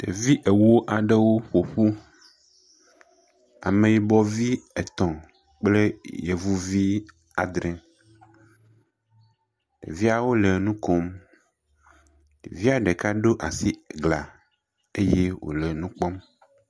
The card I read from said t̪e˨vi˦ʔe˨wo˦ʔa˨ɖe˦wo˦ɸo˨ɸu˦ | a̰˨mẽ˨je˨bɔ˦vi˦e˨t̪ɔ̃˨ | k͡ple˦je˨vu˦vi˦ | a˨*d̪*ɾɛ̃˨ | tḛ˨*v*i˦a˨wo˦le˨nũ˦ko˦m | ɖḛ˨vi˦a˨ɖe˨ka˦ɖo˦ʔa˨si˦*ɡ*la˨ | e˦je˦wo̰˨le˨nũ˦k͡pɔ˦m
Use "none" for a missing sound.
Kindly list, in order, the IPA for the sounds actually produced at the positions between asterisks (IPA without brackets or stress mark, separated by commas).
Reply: d̪, v, ɡ